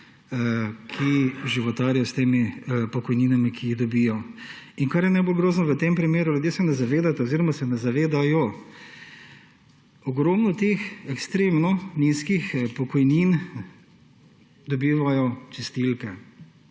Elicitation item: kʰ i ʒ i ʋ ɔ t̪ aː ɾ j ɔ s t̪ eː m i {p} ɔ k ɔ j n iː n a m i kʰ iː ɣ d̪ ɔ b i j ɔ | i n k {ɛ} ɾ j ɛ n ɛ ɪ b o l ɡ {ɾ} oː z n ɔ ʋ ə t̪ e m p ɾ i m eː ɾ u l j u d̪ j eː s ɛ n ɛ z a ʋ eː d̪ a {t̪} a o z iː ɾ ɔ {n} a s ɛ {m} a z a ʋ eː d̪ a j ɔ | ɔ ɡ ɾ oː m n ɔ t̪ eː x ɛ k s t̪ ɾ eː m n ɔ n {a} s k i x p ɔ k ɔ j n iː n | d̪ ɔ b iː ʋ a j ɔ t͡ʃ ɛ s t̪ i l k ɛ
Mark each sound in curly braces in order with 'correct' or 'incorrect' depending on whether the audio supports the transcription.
correct, incorrect: a, correct, correct, incorrect: m, incorrect: n, incorrect: i

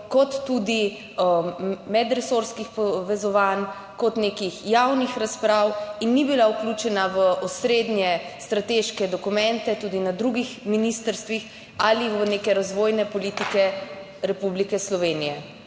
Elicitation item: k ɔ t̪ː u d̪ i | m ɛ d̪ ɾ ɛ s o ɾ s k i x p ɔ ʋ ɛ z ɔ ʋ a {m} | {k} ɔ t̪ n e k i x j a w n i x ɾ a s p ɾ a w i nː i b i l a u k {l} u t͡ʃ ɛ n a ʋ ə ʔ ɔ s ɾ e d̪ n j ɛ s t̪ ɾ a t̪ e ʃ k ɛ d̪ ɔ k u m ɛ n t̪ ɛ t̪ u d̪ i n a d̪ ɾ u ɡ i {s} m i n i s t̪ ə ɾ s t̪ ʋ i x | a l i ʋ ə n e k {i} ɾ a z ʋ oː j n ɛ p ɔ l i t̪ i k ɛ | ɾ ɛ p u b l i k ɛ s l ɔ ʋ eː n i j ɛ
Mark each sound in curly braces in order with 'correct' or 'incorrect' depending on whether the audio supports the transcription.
incorrect: n, correct, correct, incorrect: x, incorrect: ɛ

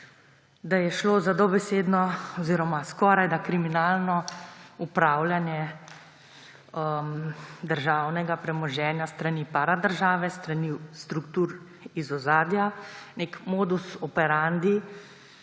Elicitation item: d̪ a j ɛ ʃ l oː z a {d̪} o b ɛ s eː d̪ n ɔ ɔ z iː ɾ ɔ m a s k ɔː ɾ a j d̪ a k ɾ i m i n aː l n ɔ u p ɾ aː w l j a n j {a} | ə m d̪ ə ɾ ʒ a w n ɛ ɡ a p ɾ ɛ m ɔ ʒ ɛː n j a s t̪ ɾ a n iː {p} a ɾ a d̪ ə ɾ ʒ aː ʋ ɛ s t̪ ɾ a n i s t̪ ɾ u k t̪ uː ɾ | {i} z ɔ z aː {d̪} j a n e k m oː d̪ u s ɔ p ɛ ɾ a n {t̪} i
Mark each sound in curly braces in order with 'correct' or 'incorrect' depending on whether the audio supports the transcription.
correct, incorrect: ɛ, correct, correct, correct, incorrect: d̪

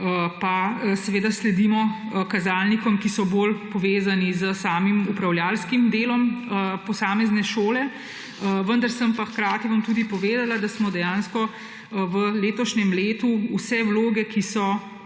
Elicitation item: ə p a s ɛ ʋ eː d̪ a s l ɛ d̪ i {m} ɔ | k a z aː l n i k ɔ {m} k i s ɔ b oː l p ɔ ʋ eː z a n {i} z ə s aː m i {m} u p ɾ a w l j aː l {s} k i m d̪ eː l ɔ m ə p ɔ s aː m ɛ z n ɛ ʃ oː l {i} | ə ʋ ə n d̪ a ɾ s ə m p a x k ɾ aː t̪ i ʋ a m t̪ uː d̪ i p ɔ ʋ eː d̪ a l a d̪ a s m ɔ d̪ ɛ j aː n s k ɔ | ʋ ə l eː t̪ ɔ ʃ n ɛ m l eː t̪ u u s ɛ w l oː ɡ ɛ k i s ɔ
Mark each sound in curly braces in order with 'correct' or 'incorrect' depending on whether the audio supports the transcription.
correct, correct, correct, correct, correct, incorrect: ɛ

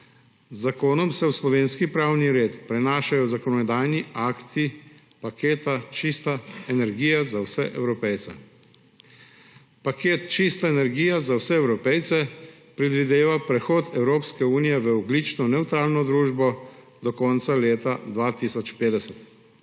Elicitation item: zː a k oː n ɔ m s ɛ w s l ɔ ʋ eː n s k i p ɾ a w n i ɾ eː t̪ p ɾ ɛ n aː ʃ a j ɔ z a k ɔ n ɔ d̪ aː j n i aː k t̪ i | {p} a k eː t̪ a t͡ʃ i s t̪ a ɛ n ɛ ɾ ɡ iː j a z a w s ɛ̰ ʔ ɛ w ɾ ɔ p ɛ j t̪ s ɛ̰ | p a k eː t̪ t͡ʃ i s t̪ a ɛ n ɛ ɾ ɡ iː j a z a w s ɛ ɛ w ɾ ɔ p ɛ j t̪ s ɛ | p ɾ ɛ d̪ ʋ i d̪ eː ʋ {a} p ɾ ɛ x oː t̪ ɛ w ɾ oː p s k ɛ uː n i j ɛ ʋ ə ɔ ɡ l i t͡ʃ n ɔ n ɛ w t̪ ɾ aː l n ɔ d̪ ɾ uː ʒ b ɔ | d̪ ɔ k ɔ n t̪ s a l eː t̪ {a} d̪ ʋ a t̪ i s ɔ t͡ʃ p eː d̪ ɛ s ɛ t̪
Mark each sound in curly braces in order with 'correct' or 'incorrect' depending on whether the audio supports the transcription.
correct, correct, correct

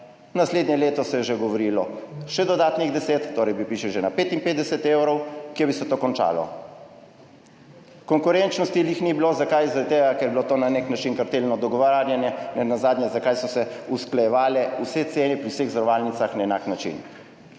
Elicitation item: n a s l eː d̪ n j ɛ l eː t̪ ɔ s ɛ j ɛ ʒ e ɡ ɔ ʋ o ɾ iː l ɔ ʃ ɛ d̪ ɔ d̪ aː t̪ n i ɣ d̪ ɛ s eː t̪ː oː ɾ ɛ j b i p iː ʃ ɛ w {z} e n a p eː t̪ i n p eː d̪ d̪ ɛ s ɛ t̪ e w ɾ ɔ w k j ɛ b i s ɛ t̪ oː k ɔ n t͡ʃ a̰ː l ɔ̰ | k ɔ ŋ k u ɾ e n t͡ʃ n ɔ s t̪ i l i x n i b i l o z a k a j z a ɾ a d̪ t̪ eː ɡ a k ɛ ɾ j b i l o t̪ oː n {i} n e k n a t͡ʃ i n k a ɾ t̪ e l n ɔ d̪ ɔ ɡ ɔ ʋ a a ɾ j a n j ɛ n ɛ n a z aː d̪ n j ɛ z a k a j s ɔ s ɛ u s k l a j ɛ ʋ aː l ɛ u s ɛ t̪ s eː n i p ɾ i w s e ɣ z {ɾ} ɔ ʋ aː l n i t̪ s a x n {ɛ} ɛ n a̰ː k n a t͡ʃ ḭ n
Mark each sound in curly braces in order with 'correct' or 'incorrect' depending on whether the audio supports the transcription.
incorrect: ʒ, incorrect: a, correct, incorrect: a

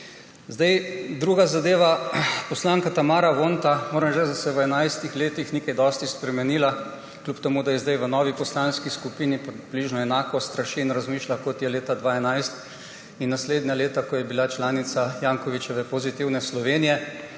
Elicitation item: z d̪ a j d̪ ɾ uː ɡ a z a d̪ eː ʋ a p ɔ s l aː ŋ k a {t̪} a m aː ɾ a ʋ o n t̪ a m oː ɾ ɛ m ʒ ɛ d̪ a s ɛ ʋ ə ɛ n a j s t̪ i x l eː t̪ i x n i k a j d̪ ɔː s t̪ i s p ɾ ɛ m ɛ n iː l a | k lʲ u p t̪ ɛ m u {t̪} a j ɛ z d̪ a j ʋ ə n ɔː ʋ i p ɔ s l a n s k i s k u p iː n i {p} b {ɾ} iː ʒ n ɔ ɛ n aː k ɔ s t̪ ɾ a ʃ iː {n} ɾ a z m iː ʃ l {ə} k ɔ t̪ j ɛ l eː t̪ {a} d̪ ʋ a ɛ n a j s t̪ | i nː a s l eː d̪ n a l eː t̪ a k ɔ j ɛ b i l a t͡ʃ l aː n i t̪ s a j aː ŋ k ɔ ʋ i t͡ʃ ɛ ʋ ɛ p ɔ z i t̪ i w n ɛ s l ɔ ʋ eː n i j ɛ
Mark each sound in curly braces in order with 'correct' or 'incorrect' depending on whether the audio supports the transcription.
correct, incorrect: d̪, correct, incorrect: l, correct, incorrect: a, correct

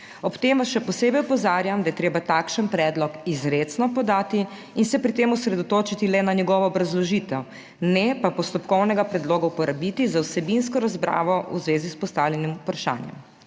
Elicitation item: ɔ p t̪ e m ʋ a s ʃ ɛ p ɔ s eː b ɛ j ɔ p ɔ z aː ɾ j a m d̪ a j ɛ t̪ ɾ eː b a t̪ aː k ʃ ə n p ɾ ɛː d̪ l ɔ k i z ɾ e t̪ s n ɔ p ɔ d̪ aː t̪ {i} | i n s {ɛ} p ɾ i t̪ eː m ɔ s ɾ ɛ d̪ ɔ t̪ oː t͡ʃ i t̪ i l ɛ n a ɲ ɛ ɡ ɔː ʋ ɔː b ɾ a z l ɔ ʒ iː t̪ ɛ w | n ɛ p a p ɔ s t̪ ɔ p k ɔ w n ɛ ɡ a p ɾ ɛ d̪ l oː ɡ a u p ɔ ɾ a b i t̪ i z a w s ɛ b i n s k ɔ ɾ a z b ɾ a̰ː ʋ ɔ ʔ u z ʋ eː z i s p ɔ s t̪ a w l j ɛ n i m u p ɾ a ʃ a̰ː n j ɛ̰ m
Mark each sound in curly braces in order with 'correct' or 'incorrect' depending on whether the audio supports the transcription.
correct, correct

